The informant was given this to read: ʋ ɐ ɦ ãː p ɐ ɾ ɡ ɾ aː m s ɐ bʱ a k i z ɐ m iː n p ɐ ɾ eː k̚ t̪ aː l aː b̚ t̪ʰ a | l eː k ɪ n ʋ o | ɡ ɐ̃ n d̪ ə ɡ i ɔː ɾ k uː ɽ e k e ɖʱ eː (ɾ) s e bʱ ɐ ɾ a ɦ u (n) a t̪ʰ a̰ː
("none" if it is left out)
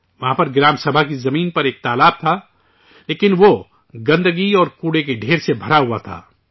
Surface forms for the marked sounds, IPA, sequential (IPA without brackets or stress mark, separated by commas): ɾ, none